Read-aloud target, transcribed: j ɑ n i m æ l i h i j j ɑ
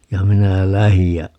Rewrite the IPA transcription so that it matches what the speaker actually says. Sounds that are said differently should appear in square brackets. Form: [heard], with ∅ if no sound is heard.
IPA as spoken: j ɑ [m] i [n] æ l [æ] h i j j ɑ